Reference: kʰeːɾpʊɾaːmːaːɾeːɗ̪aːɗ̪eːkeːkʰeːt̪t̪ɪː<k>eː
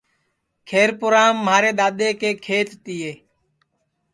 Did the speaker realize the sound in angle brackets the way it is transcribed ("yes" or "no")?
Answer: no